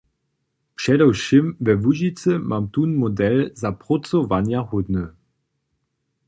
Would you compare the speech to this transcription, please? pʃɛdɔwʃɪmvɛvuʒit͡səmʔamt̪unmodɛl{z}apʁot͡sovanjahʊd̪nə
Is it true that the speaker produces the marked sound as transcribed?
yes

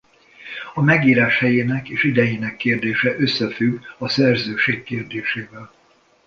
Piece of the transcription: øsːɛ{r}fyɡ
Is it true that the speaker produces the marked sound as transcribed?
no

